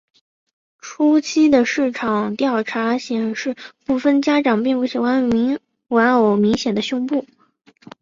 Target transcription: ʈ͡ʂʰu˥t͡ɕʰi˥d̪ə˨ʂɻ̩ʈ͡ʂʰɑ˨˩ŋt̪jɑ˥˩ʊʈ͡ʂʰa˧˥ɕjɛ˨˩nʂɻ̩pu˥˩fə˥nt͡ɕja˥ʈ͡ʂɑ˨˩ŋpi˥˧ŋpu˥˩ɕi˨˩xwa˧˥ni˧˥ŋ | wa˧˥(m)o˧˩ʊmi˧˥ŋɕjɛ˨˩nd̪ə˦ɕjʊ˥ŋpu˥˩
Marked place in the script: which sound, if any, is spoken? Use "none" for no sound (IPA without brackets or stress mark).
n